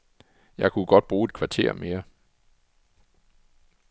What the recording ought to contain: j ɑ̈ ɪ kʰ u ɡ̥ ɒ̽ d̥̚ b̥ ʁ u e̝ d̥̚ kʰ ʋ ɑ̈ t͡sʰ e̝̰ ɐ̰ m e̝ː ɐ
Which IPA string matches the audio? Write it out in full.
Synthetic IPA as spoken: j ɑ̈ ɪ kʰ u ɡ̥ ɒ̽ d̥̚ b̥ ʁ uː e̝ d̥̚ kʰ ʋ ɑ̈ t͡sʰ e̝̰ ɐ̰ m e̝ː ɐ